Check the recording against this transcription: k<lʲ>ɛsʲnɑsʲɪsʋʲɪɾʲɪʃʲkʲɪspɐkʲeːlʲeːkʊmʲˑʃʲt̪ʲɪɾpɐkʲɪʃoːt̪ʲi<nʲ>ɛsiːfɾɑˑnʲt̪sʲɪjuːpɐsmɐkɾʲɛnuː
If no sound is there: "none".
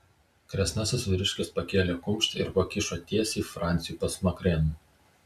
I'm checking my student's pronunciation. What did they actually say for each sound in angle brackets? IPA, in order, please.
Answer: ɾʲ, none

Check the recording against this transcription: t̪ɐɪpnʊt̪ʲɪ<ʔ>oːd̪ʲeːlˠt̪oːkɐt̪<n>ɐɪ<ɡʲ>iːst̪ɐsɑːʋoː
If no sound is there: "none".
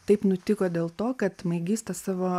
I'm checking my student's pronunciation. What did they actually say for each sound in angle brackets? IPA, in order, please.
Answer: k, m, ɡʲ

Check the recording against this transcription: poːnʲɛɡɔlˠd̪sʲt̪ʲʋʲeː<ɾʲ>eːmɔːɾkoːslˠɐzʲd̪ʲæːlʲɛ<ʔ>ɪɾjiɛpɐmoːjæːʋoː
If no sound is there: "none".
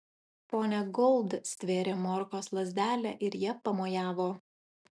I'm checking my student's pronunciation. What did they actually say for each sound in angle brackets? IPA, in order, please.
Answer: ɾʲ, ʔ

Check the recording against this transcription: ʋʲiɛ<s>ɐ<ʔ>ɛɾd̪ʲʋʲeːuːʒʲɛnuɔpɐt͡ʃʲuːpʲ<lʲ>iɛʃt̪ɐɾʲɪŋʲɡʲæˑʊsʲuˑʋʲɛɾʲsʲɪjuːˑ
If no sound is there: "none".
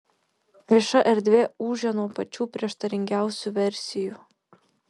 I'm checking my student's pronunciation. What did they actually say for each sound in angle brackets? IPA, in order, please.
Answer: ʃ, ʔ, ɾʲ

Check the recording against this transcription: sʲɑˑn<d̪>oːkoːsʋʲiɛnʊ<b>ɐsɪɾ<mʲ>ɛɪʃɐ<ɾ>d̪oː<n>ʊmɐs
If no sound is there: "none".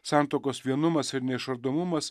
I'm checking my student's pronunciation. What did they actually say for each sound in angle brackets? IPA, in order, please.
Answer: t̪, m, nʲ, ɾ, m

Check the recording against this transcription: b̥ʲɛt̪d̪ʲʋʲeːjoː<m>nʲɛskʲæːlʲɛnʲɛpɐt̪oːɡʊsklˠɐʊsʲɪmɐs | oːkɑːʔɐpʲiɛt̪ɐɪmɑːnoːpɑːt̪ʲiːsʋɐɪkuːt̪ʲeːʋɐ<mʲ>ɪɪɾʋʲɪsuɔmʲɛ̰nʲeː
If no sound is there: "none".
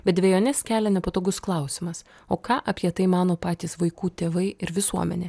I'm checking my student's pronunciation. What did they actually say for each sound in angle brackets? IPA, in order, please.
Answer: none, none

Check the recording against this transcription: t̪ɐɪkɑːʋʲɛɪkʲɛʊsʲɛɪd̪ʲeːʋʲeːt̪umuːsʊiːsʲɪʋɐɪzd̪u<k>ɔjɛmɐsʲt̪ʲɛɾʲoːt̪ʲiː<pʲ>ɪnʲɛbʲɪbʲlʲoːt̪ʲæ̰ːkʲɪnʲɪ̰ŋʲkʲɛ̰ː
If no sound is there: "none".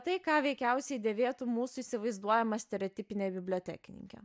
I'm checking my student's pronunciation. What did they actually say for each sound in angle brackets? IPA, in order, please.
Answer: none, pʲ

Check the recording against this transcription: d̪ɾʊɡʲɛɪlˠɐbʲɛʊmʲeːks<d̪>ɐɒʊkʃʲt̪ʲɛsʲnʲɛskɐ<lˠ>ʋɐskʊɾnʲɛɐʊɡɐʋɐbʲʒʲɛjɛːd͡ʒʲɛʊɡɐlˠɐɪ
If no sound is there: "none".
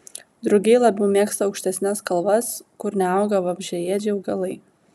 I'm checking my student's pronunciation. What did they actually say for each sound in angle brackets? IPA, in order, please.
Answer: t̪, lˠ

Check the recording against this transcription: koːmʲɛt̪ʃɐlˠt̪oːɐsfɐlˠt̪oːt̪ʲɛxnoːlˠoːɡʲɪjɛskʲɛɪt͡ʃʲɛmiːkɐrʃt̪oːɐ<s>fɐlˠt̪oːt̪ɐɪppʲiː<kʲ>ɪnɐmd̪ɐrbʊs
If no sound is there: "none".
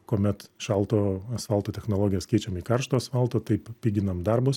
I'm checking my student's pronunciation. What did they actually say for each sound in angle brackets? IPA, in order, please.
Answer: s, ɡʲ

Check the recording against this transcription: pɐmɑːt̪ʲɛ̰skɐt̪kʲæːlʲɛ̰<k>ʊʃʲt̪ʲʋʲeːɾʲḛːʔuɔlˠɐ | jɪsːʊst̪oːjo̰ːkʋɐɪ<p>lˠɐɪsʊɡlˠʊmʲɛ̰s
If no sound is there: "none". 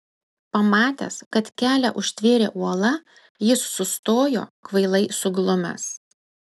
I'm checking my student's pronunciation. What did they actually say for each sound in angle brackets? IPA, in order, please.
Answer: ʔ, none

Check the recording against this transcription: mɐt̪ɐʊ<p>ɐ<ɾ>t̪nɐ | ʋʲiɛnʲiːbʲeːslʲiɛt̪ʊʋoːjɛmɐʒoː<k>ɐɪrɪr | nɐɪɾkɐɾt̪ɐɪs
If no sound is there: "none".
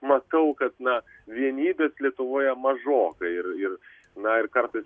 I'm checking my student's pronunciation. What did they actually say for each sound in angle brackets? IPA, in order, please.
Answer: k, none, k

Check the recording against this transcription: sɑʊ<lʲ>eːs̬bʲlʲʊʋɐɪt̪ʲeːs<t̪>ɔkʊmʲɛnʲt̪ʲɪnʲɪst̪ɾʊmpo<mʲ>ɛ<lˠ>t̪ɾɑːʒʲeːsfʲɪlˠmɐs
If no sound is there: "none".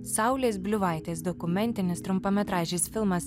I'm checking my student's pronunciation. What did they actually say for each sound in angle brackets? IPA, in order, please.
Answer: lʲ, d̪, mʲ, none

